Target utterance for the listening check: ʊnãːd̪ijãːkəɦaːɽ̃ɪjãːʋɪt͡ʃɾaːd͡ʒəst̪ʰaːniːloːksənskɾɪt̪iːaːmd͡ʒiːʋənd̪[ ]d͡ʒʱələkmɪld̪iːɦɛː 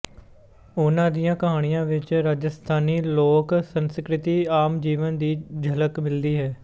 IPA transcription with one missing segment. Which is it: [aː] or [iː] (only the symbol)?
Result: iː